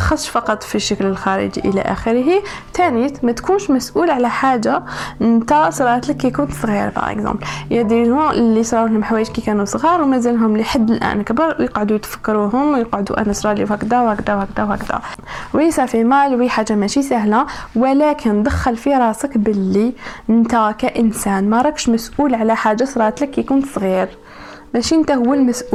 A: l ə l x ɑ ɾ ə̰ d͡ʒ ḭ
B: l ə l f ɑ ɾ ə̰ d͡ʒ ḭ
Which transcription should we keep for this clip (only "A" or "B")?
A